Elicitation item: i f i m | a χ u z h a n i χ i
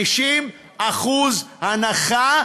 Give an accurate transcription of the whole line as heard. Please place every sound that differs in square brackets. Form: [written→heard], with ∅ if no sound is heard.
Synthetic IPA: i [f→ʃ] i m | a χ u z h a n [i→a] χ [i→a]